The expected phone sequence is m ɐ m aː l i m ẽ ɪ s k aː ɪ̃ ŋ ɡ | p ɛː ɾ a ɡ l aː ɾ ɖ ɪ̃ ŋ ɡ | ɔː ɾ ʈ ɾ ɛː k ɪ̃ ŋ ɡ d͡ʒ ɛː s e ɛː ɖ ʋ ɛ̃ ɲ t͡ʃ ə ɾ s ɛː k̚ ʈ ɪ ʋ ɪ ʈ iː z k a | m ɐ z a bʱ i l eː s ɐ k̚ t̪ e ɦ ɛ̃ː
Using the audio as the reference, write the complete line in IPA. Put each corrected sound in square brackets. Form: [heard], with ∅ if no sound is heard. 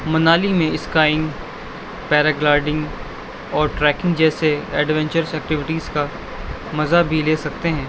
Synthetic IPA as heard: m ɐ [n] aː l i m ẽ ɪ s k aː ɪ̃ ŋ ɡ | p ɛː ɾ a ɡ l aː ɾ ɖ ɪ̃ ŋ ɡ | ɔː ɾ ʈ ɾ ɛː k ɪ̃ ŋ ɡ d͡ʒ ɛː s e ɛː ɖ ʋ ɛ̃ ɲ t͡ʃ ə ɾ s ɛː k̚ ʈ ɪ ʋ ɪ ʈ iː z k a | m ɐ z a bʱ i l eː s ɐ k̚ t̪ e ɦ ɛ̃ː